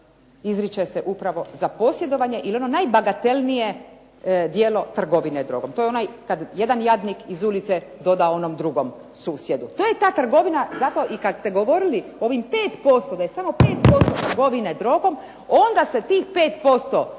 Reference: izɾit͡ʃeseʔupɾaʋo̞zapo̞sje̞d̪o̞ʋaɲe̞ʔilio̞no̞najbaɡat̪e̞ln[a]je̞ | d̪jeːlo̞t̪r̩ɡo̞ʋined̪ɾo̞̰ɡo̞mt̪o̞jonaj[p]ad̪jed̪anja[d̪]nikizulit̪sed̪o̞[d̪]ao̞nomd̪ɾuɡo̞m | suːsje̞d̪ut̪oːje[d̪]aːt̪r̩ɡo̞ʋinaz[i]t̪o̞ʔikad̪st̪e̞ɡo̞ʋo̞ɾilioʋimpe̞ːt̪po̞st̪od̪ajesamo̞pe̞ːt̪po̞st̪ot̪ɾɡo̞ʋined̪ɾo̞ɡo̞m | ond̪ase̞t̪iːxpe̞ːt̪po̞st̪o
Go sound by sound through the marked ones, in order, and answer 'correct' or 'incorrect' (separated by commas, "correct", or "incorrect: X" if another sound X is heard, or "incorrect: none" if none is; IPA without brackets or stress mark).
incorrect: i, incorrect: k, correct, correct, incorrect: t̪, incorrect: a